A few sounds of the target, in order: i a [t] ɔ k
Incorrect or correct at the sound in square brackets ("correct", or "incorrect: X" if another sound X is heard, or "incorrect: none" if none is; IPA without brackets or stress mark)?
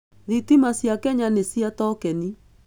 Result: correct